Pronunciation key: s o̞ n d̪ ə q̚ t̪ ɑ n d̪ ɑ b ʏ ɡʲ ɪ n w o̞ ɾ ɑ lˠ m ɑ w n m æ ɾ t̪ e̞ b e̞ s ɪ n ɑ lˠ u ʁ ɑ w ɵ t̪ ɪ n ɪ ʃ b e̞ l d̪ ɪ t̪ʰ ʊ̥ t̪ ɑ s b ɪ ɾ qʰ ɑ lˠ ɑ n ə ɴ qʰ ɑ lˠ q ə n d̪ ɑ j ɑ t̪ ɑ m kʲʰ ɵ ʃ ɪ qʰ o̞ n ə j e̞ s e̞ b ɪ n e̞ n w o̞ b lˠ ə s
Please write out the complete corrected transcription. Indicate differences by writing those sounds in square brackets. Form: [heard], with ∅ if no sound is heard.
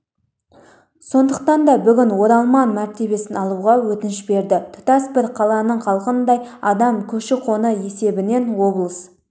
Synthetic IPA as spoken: s o̞ n d̪ ə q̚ t̪ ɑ n d̪ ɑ b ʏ ɡʲ ɪ n w o̞ ɾ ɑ lˠ m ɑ [∅] n m æ ɾ t̪ e̞ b e̞ s ɪ n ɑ lˠ u ʁ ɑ w ɵ t̪ ɪ n ɪ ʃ b e̞ [ɾ] d̪ ɪ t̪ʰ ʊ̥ t̪ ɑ s b ɪ ɾ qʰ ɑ lˠ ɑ n ə ɴ qʰ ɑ lˠ q ə n d̪ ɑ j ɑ [d̪] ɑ m kʲʰ ɵ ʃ ɪ qʰ o̞ n ə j e̞ s e̞ b ɪ n e̞ n w o̞ b lˠ ə s